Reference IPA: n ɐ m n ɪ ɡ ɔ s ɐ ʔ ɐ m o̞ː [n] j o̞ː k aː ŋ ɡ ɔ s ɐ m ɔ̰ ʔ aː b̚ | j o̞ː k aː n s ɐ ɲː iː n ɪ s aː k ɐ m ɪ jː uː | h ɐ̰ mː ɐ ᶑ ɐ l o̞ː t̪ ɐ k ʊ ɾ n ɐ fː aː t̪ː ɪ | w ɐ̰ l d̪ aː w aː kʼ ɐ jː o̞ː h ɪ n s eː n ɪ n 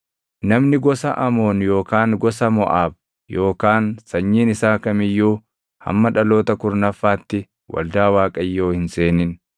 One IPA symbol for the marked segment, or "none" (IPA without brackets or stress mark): n